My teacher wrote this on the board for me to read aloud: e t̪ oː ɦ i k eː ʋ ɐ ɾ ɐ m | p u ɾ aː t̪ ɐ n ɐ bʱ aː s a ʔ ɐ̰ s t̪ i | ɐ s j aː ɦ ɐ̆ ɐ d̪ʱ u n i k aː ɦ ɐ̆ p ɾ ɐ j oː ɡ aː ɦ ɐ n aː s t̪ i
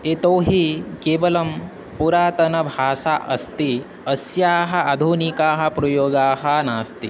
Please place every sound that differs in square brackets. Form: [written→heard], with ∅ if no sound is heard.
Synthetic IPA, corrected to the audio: e t̪ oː ɦ i k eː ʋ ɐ [ɾ→l] ɐ m | p u ɾ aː t̪ ɐ n ɐ bʱ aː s a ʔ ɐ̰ s t̪ i | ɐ s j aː ɦ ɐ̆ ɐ d̪ʱ u n i k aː ɦ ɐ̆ p ɾ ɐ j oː ɡ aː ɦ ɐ n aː s t̪ i